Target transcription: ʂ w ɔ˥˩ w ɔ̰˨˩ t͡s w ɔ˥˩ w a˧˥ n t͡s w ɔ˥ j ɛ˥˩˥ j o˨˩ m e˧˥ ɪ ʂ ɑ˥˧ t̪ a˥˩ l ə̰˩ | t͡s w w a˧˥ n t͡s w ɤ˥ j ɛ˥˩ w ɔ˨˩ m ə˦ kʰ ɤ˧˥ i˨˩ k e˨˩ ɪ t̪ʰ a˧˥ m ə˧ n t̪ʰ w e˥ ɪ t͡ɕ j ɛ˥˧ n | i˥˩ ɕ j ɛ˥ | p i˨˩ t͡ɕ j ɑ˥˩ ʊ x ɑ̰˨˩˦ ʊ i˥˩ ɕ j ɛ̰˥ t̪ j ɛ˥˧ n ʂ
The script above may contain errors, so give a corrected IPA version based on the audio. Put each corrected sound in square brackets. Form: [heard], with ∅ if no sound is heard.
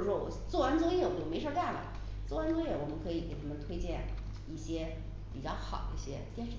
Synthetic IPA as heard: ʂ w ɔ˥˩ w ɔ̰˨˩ t͡s w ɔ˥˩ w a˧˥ n t͡s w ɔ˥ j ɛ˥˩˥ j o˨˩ m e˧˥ ɪ ʂ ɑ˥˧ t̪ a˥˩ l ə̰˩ | t͡s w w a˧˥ n t͡s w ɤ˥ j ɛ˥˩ w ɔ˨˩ m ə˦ kʰ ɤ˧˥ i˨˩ k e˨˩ ɪ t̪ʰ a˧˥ m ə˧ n t̪ʰ w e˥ ɪ t͡ɕ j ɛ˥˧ n | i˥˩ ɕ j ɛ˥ | p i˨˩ t͡ɕ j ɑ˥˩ ʊ x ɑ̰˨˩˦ ʊ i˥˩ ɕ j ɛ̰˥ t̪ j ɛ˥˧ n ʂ